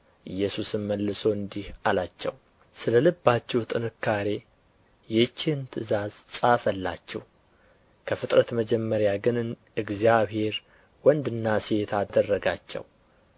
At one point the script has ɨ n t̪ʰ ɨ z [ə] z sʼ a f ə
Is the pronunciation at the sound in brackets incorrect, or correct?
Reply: incorrect